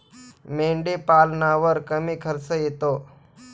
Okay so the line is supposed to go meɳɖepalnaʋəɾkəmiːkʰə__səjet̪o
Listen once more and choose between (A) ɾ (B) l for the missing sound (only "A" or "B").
A